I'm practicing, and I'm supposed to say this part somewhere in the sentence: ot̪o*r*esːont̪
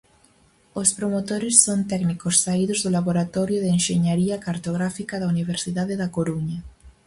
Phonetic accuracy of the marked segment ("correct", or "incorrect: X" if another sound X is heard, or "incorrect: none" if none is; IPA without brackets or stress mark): incorrect: ɾ